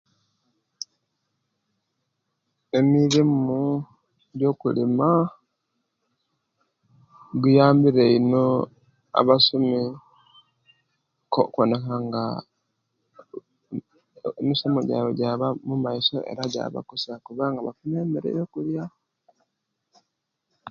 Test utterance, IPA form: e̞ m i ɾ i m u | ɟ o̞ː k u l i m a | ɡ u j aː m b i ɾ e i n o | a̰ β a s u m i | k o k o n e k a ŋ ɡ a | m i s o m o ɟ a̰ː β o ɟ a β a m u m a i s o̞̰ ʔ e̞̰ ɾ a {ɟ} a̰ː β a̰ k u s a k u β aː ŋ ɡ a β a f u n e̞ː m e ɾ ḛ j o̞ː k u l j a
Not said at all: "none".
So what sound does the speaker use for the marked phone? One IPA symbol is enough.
ɟ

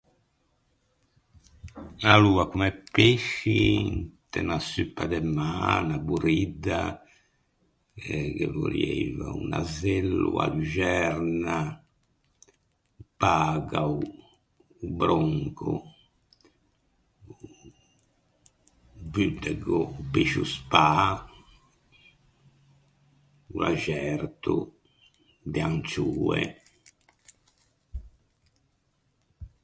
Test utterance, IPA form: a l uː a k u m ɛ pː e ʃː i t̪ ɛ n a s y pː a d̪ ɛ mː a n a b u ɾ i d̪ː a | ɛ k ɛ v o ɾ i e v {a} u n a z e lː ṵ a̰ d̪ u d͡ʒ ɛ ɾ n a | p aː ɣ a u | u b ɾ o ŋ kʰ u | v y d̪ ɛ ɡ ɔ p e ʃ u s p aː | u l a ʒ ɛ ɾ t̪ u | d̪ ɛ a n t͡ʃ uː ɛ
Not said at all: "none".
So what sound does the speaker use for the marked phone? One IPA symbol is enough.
a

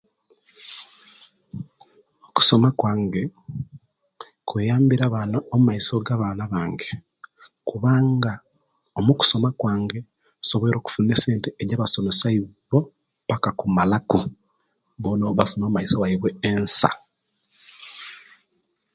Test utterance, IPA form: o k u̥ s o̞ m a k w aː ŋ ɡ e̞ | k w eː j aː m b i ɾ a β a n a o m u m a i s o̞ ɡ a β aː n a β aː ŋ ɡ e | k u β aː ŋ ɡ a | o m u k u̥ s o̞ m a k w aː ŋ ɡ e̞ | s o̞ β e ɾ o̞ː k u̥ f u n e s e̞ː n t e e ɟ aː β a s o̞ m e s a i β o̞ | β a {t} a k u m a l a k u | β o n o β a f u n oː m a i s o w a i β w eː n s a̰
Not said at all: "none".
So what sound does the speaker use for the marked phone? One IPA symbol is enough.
k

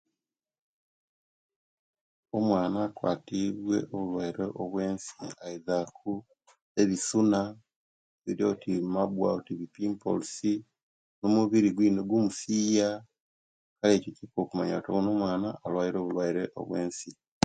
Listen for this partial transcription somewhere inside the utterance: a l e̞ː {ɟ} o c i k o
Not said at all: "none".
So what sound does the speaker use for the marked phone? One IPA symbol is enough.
c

